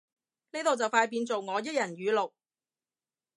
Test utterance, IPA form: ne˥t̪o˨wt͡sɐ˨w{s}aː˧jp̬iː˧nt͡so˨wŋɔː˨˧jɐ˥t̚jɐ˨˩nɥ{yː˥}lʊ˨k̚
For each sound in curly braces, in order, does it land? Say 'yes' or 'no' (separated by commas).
no, no